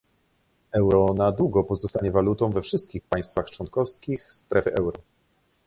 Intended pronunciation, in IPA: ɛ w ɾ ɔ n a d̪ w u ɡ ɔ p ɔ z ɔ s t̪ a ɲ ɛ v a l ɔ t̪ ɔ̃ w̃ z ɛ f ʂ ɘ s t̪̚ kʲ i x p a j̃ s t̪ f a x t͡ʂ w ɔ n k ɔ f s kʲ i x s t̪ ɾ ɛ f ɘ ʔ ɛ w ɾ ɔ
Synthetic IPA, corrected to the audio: ɛ w ɾ ɔ n a d̪ w u ɡ ɔ p ɔ z ɔ s t̪ a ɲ ɛ v a l u t̪ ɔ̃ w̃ v ɛ f ʂ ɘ s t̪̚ kʲ i x p a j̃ s t̪ f a x t͡ʂ w ɔ n k ɔ f s kʲ i x s t̪ ɾ ɛ f ɘ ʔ ɛ w ɾ ɔ